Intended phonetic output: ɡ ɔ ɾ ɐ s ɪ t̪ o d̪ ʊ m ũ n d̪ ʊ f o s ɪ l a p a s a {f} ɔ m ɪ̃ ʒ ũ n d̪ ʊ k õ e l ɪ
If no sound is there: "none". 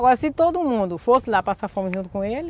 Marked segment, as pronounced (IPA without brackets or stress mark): f